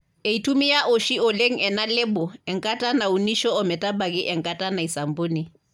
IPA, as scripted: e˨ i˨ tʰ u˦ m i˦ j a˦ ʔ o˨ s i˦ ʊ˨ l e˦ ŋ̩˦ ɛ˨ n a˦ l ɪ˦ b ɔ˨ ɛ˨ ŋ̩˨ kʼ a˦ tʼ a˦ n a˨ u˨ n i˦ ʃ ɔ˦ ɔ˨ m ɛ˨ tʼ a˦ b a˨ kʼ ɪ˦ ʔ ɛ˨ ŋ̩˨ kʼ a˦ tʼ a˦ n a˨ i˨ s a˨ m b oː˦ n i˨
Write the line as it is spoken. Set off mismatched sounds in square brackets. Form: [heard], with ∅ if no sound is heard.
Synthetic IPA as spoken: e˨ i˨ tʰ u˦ m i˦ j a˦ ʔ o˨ [ʃ] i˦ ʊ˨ l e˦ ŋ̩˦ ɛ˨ n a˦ l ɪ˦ b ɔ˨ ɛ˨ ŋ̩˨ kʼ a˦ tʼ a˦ n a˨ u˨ n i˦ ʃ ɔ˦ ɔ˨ m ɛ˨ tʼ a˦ b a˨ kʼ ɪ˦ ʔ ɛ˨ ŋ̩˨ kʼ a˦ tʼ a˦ n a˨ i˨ s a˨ m b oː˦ n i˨